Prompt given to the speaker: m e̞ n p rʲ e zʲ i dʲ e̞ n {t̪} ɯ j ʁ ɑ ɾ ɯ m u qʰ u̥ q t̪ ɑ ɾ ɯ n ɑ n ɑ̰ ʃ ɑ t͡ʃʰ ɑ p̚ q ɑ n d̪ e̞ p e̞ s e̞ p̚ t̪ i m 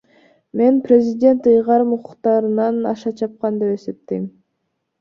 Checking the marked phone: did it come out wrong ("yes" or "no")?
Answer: no